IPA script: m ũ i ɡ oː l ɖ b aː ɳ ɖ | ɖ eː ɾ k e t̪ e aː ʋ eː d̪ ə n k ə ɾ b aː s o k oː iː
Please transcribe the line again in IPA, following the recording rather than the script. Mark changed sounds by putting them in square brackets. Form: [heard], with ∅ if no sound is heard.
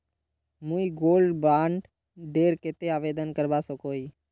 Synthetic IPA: m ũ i ɡ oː l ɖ b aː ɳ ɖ | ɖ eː ɾ k e t̪ e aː ʋ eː d̪ ə n k ə ɾ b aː s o k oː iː